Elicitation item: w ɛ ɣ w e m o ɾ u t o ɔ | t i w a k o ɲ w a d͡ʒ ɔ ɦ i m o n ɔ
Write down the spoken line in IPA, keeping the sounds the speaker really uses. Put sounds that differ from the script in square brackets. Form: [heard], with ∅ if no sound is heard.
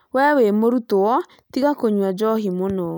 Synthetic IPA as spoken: w ɛ [∅] w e m o ɾ u t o ɔ | t i [ɣ] a k o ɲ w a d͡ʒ ɔ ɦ i m o n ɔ